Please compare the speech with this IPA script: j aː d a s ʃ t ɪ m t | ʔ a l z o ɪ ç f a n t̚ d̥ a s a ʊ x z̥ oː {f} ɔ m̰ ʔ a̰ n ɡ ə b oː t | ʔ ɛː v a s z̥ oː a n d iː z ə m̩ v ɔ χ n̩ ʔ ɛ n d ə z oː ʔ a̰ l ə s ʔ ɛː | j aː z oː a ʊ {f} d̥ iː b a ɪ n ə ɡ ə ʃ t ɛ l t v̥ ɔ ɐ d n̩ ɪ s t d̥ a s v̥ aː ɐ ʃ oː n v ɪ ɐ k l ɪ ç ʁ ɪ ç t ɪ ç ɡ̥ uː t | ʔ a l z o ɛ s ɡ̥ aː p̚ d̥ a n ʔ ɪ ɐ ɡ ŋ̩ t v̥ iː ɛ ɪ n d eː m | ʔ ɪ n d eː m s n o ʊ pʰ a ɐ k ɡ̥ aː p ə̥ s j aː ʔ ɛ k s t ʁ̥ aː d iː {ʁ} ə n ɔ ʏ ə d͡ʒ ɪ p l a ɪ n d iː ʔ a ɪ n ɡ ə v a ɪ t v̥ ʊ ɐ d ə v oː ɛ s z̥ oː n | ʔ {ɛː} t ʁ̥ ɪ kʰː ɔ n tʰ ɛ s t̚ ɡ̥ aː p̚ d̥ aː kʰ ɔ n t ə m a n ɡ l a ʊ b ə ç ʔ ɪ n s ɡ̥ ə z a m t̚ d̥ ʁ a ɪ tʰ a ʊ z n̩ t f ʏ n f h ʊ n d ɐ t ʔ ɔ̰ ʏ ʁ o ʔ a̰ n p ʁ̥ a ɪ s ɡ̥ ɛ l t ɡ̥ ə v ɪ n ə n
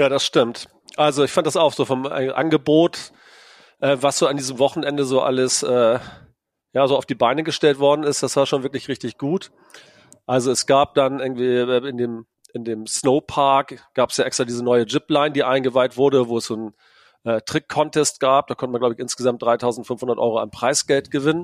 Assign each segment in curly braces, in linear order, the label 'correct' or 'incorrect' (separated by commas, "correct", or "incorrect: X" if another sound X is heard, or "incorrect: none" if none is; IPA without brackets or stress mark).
correct, correct, incorrect: z, correct